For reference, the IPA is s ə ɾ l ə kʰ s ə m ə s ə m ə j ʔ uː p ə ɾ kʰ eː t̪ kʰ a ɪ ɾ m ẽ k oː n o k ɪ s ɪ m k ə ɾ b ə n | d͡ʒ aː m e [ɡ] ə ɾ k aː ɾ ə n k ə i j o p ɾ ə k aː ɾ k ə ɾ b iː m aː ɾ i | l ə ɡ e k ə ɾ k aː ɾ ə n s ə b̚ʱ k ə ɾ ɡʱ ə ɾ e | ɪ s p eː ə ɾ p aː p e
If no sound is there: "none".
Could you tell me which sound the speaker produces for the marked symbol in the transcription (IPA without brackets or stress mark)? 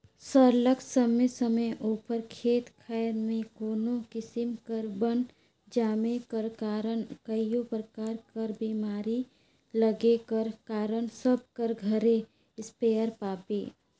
k